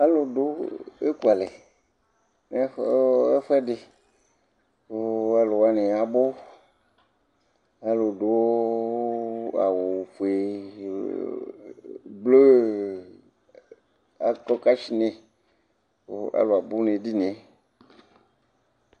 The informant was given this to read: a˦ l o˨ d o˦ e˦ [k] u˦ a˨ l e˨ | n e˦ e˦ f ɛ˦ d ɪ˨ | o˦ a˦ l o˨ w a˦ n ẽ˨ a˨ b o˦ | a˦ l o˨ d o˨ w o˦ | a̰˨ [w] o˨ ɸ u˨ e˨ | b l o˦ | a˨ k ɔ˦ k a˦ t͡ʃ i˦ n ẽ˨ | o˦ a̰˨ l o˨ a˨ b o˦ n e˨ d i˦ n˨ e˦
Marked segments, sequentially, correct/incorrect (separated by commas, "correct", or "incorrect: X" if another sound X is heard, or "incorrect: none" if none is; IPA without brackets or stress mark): correct, correct